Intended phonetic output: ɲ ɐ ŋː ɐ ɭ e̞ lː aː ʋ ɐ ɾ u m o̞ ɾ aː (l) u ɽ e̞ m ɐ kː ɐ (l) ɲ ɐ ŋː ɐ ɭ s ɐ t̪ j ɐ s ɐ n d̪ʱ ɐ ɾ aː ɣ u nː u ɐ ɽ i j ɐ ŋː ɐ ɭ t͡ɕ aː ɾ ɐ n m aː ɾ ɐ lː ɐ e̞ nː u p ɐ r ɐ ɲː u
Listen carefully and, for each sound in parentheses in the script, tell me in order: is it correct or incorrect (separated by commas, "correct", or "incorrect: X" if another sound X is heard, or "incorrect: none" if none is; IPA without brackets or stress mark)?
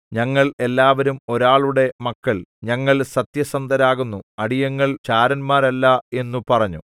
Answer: incorrect: ɭ, incorrect: ɭ